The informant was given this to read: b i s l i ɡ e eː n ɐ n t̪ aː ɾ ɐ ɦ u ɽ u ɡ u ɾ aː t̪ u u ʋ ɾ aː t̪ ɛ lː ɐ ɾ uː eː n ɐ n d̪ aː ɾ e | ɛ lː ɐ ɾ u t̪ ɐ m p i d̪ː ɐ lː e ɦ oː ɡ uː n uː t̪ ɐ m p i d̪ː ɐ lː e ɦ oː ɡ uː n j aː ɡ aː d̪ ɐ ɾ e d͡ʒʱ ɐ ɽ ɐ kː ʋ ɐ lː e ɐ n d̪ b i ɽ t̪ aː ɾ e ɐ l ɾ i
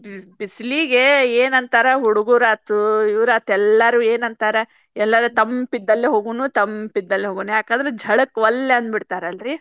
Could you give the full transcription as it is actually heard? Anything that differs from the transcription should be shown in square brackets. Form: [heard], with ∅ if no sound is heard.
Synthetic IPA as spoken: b i s l i ɡ e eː n ɐ n t̪ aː ɾ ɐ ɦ u ɽ u ɡ u ɾ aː t̪ u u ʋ ɾ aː t̪ ɛ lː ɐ ɾ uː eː n ɐ n [t̪] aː ɾ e | ɛ lː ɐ ɾ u t̪ ɐ m p i d̪ː ɐ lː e ɦ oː ɡ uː n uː t̪ ɐ m p i d̪ː ɐ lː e ɦ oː ɡ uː n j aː [k] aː d̪ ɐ ɾ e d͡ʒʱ ɐ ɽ ɐ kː ʋ ɐ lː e ɐ n d̪ b i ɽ t̪ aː ɾ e ɐ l ɾ i